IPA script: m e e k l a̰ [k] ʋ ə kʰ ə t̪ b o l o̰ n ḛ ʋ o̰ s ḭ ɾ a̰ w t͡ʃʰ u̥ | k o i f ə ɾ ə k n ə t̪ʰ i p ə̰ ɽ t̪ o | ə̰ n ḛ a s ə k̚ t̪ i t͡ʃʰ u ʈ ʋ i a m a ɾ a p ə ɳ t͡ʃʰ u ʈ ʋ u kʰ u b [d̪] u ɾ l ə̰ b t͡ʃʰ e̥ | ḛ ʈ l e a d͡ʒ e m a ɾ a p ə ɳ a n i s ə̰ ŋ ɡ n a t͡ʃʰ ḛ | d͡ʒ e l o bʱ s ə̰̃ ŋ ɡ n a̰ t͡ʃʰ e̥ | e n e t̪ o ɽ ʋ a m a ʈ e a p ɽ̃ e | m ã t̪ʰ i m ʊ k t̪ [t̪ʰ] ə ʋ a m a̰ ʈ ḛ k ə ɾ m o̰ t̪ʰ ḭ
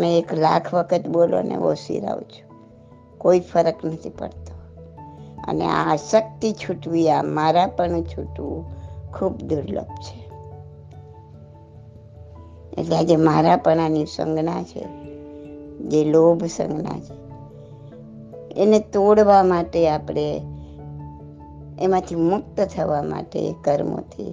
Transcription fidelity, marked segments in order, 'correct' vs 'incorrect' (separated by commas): incorrect, correct, correct